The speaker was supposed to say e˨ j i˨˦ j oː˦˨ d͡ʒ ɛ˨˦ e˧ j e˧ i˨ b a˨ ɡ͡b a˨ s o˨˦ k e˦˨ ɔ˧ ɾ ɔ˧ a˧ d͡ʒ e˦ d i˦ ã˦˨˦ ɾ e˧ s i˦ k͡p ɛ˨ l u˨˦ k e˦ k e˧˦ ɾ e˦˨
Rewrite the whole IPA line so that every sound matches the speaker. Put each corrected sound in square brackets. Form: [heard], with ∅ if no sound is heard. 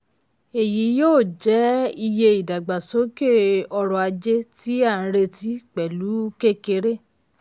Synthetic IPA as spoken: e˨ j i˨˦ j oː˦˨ d͡ʒ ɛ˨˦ [i˧] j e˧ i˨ [d] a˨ ɡ͡b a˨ s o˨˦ k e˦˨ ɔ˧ ɾ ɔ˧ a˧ d͡ʒ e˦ [t] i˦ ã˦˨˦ ɾ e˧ [t] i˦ k͡p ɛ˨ l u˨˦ k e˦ k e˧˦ ɾ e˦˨